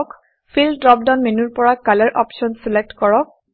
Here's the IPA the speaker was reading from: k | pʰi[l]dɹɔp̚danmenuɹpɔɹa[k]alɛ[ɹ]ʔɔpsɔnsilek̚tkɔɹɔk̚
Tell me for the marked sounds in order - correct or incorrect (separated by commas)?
correct, correct, correct